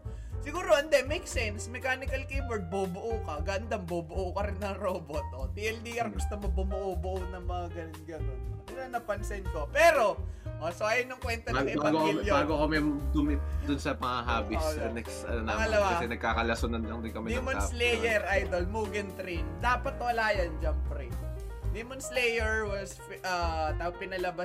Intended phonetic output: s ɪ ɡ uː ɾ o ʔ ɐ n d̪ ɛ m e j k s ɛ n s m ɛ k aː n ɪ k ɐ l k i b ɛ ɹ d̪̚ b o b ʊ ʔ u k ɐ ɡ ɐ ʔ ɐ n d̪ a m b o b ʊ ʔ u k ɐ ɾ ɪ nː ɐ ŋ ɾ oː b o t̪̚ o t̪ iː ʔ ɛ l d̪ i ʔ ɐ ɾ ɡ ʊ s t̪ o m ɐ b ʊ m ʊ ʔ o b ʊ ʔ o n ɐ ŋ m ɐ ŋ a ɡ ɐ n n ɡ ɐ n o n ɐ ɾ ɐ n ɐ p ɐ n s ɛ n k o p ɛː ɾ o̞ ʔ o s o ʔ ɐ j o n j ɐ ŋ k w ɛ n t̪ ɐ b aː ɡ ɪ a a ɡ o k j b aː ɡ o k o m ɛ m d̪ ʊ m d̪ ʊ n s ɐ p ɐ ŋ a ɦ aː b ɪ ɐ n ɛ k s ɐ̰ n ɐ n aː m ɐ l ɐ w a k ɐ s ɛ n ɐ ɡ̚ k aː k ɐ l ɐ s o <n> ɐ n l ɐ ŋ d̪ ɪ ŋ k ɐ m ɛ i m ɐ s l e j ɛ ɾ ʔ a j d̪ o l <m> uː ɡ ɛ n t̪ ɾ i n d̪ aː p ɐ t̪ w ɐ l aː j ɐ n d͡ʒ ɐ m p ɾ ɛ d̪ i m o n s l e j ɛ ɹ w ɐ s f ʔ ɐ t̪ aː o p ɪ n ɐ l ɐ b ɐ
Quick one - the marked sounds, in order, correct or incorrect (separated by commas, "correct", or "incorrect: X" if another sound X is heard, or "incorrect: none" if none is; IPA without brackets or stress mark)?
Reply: correct, correct